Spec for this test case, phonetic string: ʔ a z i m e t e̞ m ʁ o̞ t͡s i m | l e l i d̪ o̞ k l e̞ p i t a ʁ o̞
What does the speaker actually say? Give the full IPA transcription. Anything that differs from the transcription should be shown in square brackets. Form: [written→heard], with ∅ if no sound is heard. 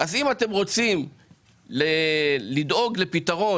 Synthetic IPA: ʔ a z i m [e→a] t e̞ m ʁ o̞ t͡s i m | l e l i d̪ o̞ [k→ɡ] l e̞ p i t a ʁ o̞